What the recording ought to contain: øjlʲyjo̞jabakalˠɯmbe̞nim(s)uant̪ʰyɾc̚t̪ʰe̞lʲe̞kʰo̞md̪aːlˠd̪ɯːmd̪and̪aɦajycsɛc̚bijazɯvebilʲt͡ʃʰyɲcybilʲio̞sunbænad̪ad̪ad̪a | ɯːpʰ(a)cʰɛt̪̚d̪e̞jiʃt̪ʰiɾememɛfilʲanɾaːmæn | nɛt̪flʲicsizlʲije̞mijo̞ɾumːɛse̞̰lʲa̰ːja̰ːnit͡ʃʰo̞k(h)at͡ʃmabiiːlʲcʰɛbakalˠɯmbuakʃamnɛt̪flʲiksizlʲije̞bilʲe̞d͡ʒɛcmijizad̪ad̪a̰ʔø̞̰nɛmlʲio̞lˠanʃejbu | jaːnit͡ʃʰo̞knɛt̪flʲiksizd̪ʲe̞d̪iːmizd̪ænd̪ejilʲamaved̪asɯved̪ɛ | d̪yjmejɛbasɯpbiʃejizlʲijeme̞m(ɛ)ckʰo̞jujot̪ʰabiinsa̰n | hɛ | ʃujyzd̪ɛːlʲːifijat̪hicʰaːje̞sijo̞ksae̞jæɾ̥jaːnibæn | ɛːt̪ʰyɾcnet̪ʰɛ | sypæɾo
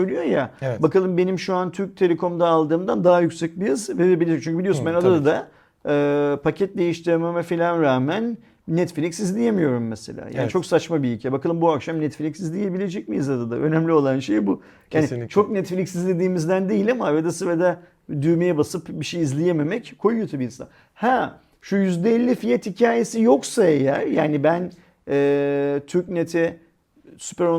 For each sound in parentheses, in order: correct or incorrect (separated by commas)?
incorrect, correct, incorrect, correct